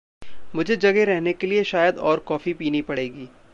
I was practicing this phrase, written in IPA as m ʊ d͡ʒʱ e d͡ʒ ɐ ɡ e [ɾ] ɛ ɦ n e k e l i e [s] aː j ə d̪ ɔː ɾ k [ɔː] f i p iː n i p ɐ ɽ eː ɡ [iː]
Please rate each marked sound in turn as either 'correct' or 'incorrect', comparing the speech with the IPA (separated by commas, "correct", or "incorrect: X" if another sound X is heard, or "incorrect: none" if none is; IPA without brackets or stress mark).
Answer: correct, incorrect: ʃ, correct, correct